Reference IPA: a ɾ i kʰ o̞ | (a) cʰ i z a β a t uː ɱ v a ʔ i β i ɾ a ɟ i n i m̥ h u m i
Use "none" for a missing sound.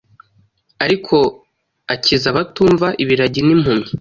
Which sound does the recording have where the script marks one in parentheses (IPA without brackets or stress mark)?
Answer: a